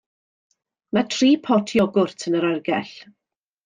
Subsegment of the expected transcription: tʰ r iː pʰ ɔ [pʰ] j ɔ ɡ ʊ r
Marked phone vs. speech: incorrect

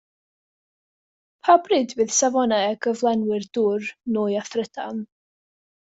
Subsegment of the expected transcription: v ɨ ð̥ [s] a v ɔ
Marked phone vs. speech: correct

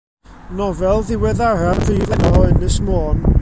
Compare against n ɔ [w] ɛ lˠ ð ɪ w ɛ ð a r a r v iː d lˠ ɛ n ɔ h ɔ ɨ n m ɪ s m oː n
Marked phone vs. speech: incorrect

